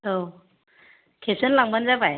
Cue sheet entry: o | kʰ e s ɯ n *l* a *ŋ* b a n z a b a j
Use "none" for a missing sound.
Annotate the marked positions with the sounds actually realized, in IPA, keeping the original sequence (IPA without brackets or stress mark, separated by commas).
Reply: l, ŋ